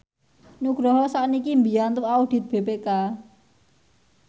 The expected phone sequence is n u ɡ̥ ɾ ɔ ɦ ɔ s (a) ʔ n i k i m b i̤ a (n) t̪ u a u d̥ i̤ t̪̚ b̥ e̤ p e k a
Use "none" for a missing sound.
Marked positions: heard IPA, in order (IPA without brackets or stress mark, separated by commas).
a, n